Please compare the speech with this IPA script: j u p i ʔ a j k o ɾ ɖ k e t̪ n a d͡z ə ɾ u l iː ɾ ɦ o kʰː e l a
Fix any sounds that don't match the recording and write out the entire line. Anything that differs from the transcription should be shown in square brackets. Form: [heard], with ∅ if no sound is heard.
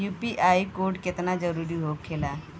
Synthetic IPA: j u p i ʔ a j k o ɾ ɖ k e t̪ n a d͡z ə ɾ u [ɾ] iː [∅] ɦ o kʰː e l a